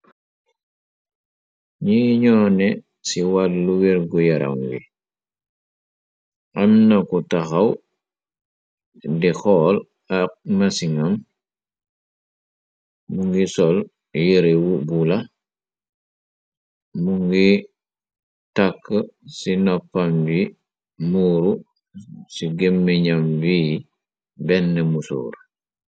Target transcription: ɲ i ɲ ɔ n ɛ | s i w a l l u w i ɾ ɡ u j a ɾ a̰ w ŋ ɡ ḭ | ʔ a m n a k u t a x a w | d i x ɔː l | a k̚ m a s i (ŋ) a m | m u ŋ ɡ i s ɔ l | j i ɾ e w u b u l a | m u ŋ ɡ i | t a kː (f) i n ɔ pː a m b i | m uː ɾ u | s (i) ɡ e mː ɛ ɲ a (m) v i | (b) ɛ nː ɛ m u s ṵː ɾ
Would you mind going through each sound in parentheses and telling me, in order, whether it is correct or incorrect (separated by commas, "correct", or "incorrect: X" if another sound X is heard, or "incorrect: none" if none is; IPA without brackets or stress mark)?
correct, incorrect: s, correct, correct, correct